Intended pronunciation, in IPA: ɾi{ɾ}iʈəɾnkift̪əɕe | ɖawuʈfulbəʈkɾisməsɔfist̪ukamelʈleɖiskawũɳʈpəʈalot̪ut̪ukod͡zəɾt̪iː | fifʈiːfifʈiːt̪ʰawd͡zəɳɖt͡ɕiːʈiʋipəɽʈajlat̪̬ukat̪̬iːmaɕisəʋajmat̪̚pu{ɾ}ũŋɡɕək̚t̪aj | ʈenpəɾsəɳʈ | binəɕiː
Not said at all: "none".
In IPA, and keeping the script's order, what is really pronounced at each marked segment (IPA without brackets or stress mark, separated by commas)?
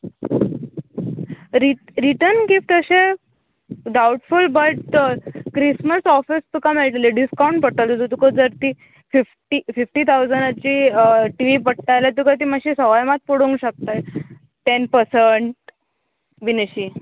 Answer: ɾ, ɽ